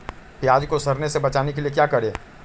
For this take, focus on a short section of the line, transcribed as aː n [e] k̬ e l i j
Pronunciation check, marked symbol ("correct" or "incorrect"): correct